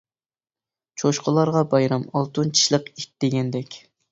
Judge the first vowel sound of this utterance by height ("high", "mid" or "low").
mid